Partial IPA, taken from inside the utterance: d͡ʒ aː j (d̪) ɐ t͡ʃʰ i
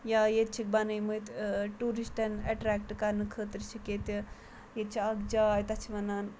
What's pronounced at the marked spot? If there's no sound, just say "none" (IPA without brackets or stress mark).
t̪